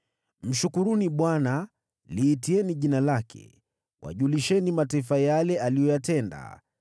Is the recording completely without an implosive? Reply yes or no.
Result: no